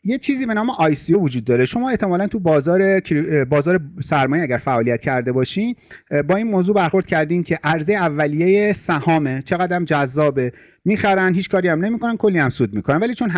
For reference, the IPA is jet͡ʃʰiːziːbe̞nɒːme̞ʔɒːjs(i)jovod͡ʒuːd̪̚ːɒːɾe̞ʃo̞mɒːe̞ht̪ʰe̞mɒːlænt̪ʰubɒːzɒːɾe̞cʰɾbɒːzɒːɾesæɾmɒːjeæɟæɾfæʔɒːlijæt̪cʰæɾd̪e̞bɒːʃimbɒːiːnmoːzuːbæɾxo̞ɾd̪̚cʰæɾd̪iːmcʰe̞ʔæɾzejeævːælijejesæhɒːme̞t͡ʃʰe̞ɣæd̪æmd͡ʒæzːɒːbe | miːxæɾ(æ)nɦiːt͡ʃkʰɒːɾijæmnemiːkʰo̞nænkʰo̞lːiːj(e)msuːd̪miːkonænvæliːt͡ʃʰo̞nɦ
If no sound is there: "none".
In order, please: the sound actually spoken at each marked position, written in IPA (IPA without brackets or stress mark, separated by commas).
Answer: i, æ, æ